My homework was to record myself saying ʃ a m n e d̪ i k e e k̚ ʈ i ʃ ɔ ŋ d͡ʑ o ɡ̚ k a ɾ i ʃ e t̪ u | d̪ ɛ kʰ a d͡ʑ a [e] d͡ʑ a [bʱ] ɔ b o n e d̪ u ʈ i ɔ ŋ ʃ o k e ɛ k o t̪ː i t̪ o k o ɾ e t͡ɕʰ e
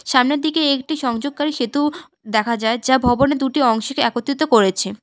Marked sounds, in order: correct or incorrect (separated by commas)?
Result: correct, correct